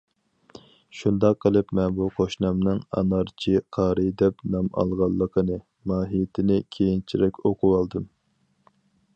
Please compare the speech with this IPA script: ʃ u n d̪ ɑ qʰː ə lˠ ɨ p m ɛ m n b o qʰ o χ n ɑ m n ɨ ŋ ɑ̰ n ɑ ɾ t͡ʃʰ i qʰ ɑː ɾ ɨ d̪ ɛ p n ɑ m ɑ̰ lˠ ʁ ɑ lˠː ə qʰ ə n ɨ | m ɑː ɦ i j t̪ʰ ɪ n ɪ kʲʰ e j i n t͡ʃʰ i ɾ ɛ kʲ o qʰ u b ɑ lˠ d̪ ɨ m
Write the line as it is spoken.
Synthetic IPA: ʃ u n d̪ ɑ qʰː ə lˠ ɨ p m ɛ n b u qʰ o ʃ n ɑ m n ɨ ŋ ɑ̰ n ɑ ɾ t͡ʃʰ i qʰ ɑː ɾ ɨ d̪ ɛ p n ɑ m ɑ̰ lˠ ʁ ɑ lˠː ə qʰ ə n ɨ | m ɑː ɦ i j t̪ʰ ɪ n ɪ kʲʰ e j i n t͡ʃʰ i ɾ ɛ kʲ o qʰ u w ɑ lˠ d̪ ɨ m